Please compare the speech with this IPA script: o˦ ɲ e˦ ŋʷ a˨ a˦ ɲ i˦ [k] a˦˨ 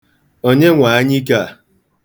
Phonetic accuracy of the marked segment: correct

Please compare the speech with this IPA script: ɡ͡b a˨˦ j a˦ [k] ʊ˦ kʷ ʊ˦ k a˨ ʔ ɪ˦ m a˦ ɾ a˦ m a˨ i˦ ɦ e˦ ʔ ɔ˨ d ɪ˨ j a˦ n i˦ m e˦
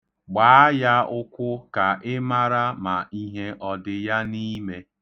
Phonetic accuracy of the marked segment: incorrect: none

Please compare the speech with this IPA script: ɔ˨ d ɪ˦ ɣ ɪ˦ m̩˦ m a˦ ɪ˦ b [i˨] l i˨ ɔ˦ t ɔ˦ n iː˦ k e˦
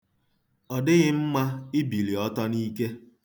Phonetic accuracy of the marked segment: correct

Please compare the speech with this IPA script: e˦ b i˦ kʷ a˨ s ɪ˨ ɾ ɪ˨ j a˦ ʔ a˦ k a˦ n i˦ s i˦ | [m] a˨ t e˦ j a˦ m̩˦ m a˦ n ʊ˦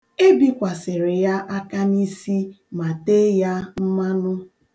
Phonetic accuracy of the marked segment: correct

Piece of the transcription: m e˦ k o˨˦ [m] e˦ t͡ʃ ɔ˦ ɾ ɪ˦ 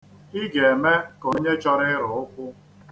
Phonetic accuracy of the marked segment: incorrect: ɲ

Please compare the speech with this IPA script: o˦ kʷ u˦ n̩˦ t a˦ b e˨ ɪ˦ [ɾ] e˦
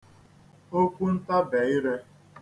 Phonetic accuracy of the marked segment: correct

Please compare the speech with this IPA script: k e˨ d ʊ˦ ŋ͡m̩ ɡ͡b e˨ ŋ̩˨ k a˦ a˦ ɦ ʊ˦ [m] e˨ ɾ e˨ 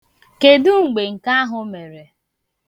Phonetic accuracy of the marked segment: correct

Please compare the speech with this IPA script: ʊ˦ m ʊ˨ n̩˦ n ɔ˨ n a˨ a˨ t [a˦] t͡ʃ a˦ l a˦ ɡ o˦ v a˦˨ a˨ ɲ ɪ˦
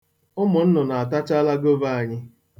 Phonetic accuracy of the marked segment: correct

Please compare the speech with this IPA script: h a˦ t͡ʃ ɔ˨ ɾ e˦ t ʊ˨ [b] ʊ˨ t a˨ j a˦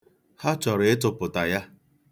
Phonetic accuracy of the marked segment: incorrect: p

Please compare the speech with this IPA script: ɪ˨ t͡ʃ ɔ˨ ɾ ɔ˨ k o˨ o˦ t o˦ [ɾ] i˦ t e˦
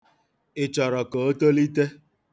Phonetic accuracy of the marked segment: incorrect: l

